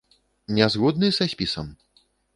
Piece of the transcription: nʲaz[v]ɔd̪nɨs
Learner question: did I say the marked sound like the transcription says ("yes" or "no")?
no